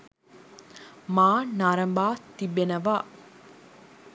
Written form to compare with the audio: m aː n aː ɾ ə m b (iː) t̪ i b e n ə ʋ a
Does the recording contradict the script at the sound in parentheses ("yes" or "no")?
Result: yes